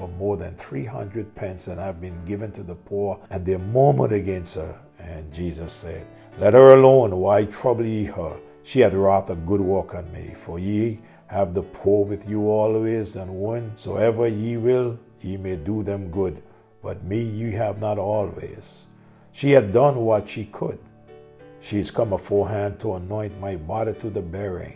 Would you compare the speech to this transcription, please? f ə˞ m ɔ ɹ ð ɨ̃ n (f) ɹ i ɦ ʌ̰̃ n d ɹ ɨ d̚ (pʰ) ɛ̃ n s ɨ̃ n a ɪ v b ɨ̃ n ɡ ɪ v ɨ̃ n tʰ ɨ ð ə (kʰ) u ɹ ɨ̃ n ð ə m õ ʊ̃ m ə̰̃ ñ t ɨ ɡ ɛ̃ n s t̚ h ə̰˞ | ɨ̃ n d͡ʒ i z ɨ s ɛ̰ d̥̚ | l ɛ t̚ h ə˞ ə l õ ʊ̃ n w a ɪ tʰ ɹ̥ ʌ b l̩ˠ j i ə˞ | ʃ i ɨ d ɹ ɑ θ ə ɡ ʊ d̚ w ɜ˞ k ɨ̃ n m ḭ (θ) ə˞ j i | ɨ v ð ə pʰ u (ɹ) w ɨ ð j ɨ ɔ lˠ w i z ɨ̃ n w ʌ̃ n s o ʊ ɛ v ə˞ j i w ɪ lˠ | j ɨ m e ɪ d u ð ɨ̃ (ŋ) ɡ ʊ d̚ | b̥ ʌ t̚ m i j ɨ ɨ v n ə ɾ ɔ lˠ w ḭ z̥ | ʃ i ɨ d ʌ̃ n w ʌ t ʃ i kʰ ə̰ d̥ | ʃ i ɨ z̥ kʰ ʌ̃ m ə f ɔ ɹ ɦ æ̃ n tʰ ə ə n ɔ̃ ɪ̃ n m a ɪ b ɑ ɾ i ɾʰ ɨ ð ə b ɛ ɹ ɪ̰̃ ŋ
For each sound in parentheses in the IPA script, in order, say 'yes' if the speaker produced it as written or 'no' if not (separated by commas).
no, yes, no, no, yes, no